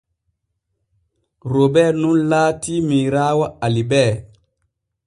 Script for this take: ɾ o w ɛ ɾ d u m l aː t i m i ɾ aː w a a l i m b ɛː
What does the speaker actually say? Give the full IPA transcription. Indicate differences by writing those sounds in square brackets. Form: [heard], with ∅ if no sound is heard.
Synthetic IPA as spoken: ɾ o [b] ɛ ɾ [n] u [n] l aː t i m i ɾ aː w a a l i [∅] b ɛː